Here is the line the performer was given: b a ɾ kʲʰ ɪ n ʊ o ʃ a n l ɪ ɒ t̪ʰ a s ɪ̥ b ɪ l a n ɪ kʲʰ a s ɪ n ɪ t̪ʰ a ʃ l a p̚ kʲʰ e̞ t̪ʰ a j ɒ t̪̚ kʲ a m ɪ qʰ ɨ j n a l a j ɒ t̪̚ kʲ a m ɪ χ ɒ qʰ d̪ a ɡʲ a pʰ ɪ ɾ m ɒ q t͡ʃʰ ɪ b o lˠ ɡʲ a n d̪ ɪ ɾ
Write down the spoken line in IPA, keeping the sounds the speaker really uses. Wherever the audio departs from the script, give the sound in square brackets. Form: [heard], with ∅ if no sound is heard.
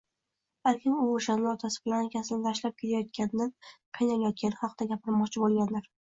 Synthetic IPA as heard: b a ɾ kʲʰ ɪ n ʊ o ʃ a n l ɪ ɒ t̪ʰ a s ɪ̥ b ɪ l a n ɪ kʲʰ a s ɪ n ɪ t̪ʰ a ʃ l a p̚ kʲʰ e̞ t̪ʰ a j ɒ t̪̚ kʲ a [n] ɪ qʰ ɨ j n a l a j ɒ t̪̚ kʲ a [n] ɪ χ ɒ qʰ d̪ a ɡʲ a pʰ ɪ ɾ m ɒ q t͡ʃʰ ɪ b o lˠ ɡʲ a n d̪ ɪ ɾ